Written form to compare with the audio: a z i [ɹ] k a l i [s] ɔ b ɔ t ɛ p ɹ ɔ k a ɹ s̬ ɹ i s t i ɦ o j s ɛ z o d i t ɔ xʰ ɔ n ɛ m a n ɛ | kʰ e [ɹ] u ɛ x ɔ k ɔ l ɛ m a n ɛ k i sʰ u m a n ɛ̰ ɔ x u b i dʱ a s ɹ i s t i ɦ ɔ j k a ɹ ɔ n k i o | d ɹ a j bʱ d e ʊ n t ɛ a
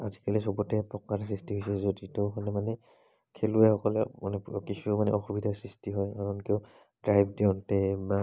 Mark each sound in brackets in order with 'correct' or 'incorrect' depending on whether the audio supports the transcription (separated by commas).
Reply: incorrect, correct, incorrect